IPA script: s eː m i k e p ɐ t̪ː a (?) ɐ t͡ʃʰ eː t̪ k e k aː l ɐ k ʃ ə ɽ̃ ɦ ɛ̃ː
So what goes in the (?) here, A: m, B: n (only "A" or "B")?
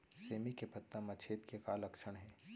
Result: A